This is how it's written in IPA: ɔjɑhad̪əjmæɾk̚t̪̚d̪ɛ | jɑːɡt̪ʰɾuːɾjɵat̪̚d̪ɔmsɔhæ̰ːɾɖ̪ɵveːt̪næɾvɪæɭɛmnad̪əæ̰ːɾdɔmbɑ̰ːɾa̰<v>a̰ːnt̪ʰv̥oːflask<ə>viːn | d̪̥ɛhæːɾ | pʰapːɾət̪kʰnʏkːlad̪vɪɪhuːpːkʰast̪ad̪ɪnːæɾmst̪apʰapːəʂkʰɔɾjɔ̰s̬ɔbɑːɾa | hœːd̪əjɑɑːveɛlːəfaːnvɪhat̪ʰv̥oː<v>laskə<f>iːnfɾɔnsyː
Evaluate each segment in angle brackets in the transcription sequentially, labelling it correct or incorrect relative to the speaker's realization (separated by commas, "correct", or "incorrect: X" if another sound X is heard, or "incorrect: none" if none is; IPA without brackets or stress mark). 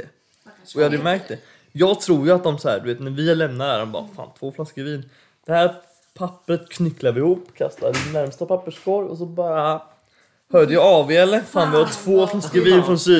incorrect: f, correct, incorrect: f, incorrect: v